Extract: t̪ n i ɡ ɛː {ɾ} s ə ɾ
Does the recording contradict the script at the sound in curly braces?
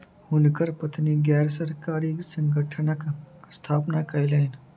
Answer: no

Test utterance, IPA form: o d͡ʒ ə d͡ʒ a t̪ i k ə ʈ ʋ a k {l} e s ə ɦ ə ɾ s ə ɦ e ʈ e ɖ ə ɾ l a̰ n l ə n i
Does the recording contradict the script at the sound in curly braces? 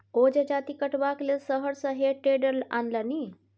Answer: no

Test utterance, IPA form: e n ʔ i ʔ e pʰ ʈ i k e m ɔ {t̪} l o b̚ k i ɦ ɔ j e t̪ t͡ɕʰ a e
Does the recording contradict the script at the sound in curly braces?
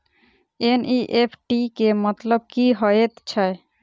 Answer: no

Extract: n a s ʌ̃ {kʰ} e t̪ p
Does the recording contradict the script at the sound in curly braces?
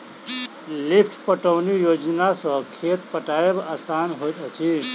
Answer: no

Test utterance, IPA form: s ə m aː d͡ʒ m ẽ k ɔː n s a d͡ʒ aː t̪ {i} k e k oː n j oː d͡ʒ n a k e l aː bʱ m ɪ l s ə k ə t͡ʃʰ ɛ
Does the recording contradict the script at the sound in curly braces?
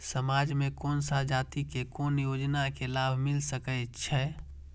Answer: no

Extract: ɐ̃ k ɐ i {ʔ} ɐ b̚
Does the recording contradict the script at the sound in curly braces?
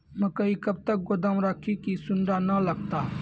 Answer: yes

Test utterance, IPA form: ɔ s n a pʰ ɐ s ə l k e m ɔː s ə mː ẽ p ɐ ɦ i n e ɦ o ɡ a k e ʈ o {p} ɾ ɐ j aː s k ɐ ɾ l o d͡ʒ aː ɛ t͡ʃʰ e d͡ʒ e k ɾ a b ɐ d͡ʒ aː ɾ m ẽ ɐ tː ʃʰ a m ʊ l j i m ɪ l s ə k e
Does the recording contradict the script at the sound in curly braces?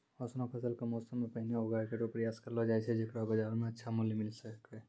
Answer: no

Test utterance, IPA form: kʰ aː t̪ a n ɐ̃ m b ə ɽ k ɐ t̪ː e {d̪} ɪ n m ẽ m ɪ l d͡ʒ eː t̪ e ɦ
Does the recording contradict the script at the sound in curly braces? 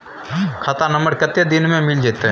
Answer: no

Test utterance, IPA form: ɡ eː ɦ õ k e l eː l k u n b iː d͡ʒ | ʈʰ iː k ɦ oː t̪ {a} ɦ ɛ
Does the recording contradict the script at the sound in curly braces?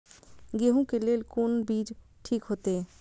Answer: yes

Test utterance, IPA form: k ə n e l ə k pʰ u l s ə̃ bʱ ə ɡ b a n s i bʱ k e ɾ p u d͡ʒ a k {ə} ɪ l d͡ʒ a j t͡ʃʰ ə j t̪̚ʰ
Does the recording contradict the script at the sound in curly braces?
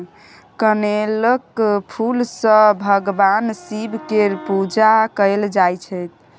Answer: no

